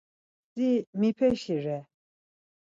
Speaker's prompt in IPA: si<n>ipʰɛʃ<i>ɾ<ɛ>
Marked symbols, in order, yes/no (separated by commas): no, yes, yes